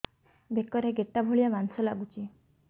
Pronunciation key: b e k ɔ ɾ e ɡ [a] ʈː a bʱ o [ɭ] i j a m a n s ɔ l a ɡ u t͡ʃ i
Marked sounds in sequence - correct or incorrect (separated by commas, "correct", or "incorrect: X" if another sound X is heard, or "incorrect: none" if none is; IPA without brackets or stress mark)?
incorrect: e, correct